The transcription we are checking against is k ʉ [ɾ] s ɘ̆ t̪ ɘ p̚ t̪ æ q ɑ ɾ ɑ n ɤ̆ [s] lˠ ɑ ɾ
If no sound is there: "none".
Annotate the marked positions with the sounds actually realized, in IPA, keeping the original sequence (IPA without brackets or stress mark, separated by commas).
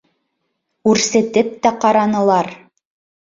ɾ, none